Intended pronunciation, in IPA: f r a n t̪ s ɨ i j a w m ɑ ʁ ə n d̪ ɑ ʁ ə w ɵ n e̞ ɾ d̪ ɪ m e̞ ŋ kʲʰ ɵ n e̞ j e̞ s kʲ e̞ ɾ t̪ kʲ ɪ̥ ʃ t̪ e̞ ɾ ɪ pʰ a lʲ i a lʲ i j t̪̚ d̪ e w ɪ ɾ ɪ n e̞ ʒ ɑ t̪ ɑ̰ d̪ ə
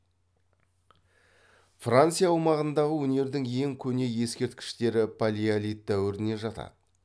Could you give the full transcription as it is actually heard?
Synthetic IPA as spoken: f r a n t̪ s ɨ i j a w m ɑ ʁ ə n d̪ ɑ ʁ ə w ɵ n e̞ ɾ d̪ ɪ ŋ e̞ ŋ kʲʰ ɵ n e̞ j e̞ s kʲ e̞ ɾ t̪ kʲ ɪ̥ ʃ t̪ e̞ ɾ ɪ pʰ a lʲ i a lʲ i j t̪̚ d̪ æ w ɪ ɾ ɪ n e̞ ʒ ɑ t̪ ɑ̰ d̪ ə

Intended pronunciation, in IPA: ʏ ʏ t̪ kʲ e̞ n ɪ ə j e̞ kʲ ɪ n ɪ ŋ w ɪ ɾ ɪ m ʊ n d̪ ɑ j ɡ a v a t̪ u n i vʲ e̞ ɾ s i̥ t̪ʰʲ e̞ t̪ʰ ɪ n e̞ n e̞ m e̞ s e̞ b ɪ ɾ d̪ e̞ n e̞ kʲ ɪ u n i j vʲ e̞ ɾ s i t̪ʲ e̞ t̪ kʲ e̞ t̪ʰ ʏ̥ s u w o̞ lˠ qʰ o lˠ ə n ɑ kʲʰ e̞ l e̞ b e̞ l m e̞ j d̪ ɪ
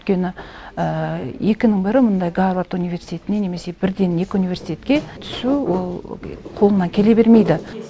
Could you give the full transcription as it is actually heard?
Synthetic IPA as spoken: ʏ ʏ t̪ kʲ e̞ n ɪ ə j e̞ kʲ ɪ n ɪ ŋ b ɪ ɾ ɪ m ʊ n d̪ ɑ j ɡ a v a t̪ u n i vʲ e̞ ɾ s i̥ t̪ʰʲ e̞ t̪ ɪ n e̞ n e̞ m e̞ s e̞ b ɪ ɾ d̪ e̞ n e̞ kʲ ɪ u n i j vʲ e̞ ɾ s i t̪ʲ e̞ t̪ kʲ e̞ t̪ʰ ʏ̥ s u w o̞ lˠ qʰ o lˠ ə n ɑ kʲʰ e̞ l e̞ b e̞ ɾ m e̞ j d̪ ɪ

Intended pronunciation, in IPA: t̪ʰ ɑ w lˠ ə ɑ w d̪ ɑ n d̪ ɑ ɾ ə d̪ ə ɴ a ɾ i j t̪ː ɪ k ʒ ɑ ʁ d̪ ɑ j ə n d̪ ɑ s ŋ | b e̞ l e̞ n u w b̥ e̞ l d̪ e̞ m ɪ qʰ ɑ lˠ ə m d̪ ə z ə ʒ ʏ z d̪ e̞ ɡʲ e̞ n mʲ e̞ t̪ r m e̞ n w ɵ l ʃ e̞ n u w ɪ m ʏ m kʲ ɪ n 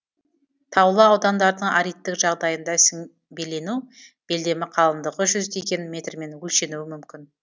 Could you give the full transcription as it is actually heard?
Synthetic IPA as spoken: t̪ʰ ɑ w lˠ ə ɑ w d̪ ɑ n d̪ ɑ ɾ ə d̪ ə ɴ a ɾ i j t̪ː ɪ k ʒ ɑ ʁ d̪ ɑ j ə n d̪ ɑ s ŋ | b e̞ l e̞ n u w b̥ e̞ l d̪ e̞ m ɪ qʰ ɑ lˠ ə m d̪ ə ʁ ə ʒ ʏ z d̪ e̞ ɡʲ e̞ n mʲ e̞ t̪ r m e̞ n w ɵ l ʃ e̞ n u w ɪ m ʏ m kʲ ɪ n

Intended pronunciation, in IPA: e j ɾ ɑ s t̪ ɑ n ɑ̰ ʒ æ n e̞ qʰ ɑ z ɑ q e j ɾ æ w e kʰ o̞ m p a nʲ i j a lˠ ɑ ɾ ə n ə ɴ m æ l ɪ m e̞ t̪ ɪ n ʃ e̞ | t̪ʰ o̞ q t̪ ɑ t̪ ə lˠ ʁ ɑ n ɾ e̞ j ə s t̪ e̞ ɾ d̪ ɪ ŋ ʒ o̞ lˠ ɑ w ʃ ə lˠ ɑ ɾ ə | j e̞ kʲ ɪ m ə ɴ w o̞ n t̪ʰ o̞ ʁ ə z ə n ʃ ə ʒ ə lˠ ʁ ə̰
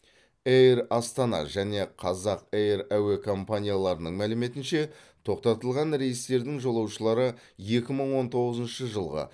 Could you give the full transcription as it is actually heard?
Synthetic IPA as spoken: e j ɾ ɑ s t̪ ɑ n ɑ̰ ʒ æ n e̞ qʰ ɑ z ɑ q e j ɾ æ w e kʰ o̞ m p a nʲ i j a lˠ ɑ ɾ ə n ə ɴ m æ l ɪ m e̞ t̪ ɪ n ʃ e̞ | t̪ʰ o̞ q t̪ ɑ t̪ ə lˠ ʁ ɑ n ɾ e̞ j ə s t̪ e̞ ɾ d̪ ɪ ŋ ʒ o̞ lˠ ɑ w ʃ ə lˠ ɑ ɾ ə | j e̞ kʲ ɪ m ə ɴ w o̞ n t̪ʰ o̞ ʁ ə z ə n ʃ ə ʒ ə lˠ ʁ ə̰

